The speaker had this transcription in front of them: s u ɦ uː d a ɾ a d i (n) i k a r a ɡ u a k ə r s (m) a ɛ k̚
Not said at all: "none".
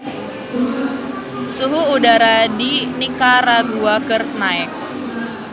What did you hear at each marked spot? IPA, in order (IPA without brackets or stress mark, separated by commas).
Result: n, n